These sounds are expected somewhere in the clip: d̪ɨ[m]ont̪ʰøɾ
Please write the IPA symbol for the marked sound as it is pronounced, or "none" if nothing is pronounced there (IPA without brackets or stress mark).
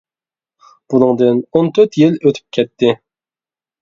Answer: n